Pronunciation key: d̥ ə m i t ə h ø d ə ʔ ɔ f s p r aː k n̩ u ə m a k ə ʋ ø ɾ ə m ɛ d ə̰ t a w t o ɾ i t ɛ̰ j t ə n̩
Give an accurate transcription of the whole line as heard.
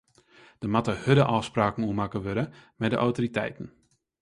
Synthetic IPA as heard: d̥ ə m a t ə h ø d ə ʔ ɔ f s p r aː k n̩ u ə m a k ə ʋ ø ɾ ə m ɛ d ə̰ ʔ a w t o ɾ i t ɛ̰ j t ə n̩